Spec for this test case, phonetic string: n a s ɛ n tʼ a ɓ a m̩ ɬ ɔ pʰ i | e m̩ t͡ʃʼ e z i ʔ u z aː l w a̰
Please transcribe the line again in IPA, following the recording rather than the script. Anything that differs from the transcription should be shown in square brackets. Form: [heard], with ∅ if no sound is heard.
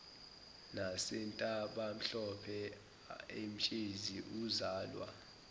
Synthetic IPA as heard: n a s ɛ n tʼ a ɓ a m̩ ɬ ɔ pʰ [ɛ] | e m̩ t͡ʃʼ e z i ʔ u z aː l w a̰